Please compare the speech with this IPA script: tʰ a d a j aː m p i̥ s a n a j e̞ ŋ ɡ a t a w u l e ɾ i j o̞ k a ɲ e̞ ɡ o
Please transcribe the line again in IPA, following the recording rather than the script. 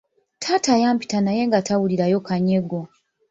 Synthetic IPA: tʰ a t a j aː m p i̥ t a n a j e̞ ŋ ɡ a t a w u l i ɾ a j o̞ k a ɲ e̞ ɡ o